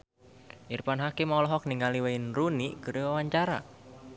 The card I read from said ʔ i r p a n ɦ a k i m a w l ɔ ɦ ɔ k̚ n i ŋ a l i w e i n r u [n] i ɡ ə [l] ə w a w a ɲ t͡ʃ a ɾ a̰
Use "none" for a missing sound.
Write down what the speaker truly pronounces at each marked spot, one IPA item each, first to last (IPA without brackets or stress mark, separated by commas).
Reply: n, ɾ